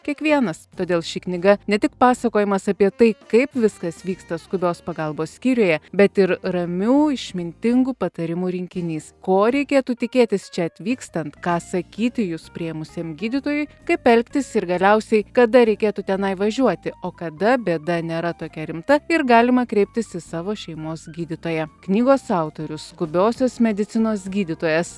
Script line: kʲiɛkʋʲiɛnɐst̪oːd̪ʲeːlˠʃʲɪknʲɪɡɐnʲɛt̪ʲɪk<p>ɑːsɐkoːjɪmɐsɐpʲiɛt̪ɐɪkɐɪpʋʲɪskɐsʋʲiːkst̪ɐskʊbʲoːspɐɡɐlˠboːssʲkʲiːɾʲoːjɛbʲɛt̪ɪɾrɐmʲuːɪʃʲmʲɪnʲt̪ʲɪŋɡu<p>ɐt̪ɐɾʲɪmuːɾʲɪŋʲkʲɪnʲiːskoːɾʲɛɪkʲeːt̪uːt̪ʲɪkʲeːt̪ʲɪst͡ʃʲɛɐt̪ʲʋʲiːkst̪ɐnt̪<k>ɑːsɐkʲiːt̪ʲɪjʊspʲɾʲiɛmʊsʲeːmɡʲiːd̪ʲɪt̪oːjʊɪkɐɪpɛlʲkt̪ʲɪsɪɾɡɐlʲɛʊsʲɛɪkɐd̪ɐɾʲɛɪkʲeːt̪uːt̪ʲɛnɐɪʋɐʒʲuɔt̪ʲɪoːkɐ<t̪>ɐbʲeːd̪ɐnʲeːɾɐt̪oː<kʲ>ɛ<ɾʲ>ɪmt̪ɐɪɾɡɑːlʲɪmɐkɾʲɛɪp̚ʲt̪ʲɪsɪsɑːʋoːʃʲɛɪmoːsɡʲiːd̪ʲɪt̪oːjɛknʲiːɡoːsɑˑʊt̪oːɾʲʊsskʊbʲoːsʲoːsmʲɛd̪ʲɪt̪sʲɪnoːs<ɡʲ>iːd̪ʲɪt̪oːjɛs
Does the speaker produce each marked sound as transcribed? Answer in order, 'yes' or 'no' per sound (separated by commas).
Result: yes, yes, yes, no, yes, yes, yes